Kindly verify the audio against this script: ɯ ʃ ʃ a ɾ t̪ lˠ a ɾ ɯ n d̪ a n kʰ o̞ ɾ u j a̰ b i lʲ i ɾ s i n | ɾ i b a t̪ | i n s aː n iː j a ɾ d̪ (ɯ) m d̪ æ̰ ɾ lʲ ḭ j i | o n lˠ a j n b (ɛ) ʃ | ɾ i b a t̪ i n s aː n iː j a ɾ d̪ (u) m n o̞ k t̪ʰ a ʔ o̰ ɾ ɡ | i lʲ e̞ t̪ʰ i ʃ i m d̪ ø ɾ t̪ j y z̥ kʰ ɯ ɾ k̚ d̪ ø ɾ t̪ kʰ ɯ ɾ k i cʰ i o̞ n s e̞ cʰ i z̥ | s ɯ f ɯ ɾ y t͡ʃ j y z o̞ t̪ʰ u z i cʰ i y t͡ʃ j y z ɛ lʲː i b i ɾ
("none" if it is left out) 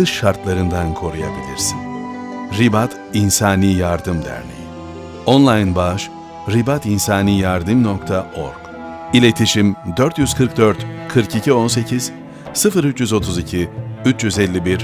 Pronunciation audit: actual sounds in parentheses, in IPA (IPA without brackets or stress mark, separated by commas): ɯ, a, ɯ